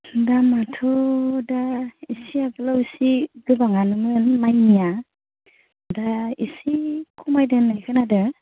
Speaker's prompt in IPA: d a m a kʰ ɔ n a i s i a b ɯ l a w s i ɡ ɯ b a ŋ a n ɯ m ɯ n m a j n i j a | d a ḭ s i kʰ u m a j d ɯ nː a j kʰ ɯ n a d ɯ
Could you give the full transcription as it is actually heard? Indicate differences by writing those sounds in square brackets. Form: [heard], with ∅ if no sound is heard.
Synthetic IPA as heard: d a m a [tʰ] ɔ [d] a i s i a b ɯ l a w s i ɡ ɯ b a ŋ a n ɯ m ɯ n m a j n i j a | d a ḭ s i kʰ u m a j d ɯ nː a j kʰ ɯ n a d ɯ